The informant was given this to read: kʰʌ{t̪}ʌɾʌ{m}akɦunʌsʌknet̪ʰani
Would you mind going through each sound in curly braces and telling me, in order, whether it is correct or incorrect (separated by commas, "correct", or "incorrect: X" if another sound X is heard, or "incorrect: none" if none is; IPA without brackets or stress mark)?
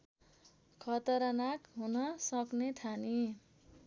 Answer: correct, incorrect: n